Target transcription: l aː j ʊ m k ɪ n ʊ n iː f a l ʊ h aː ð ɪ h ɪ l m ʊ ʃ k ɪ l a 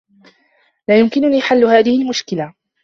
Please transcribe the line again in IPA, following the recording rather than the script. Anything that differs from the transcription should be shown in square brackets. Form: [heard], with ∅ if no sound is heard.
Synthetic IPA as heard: l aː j ʊ m k ɪ n ʊ n iː [ħ] a [lː] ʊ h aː ð ɪ h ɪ l m ʊ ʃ k ɪ l a